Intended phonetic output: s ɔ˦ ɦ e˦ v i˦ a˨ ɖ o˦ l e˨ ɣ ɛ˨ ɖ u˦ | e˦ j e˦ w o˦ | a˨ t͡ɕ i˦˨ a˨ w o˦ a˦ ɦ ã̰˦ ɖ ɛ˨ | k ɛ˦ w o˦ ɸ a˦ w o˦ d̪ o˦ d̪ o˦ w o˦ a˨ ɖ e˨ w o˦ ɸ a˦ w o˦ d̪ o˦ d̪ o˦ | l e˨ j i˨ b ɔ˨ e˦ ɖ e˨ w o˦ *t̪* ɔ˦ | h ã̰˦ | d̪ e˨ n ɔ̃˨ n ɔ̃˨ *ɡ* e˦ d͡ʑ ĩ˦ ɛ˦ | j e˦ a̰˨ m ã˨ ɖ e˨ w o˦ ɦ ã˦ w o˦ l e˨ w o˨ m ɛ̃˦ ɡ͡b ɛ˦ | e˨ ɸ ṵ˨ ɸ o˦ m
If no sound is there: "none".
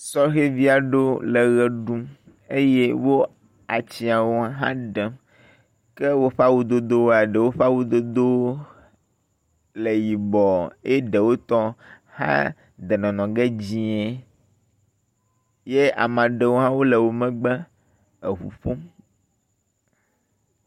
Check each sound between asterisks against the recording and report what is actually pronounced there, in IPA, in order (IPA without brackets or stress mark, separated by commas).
t̪, ɡ